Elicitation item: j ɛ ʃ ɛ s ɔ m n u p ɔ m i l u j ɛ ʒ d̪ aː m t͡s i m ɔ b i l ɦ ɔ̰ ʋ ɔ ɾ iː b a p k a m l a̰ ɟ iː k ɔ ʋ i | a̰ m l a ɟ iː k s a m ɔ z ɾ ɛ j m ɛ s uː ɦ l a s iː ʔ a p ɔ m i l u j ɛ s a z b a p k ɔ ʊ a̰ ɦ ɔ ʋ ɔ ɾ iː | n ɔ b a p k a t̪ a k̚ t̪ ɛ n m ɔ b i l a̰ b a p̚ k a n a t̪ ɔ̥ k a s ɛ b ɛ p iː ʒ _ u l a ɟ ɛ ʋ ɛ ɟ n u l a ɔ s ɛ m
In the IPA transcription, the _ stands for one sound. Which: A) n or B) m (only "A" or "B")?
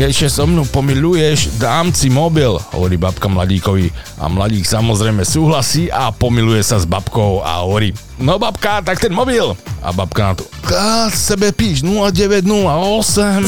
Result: A